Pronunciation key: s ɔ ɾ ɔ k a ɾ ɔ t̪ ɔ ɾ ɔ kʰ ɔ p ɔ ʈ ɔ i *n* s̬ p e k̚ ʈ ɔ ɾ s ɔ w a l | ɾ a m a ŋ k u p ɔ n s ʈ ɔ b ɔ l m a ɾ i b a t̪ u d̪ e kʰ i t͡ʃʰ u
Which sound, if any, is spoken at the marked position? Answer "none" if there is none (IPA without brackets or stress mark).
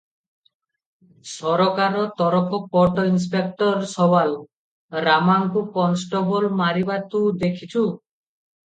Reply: n